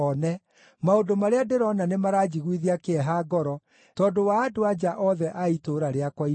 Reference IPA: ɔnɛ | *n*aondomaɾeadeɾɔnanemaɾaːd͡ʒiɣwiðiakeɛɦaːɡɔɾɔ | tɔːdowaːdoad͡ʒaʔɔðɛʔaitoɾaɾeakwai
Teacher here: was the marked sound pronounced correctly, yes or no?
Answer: no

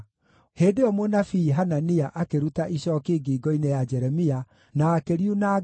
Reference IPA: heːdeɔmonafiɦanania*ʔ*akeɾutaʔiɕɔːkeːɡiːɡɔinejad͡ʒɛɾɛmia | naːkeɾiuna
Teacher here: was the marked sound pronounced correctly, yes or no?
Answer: yes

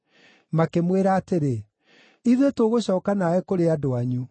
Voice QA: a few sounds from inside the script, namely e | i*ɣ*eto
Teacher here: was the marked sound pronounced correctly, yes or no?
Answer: no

